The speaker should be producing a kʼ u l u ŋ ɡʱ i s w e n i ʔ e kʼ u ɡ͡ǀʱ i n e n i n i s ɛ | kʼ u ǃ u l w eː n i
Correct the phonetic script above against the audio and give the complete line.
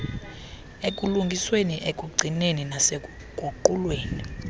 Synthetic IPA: e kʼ u l u ŋ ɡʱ i s w e n i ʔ e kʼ u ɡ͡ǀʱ i n e n i n a s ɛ | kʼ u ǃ u l w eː n i